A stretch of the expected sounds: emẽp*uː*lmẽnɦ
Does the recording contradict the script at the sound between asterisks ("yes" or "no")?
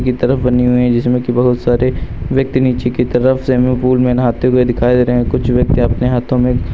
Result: no